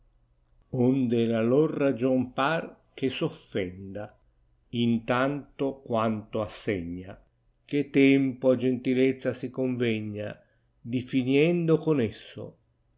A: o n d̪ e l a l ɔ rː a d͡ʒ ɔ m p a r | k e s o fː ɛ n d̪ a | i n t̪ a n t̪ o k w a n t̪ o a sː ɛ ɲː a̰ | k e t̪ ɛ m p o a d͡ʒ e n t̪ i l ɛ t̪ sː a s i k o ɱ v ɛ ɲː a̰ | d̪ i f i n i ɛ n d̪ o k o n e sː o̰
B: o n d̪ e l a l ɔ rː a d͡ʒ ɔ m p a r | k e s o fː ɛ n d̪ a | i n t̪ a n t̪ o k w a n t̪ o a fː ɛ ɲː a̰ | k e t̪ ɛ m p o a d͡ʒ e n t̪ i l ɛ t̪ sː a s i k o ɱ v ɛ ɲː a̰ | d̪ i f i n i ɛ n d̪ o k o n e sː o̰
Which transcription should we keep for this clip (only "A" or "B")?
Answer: A